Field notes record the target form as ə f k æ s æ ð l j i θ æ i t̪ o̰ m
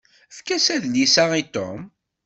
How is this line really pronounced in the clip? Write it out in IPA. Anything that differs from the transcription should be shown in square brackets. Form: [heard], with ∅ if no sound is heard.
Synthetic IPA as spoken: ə f k æ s æ ð l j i [s] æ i t̪ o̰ m